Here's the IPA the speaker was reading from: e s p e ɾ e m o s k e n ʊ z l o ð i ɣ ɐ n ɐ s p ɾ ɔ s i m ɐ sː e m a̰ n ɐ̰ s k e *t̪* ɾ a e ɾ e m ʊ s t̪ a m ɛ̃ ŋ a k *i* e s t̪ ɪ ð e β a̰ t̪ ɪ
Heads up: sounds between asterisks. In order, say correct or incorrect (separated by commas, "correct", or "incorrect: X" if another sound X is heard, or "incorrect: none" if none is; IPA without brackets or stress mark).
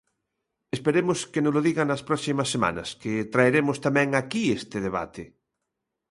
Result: correct, correct